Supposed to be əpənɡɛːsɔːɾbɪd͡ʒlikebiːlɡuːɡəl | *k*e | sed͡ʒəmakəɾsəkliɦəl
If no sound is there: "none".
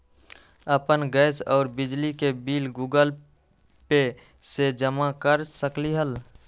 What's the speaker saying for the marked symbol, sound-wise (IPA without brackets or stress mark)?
p